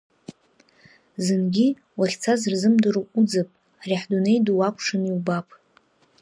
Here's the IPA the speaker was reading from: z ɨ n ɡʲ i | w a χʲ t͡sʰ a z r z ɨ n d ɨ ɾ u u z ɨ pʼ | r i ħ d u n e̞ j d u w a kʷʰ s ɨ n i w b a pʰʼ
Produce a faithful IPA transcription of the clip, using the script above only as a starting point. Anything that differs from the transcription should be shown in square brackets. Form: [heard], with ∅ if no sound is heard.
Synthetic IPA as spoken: z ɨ n ɡʲ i | w a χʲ t͡sʰ a z r z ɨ [m] d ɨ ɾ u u [d͡z] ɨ pʼ | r i ħ d u n e̞ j d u w a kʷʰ [ʂ] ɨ n i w b a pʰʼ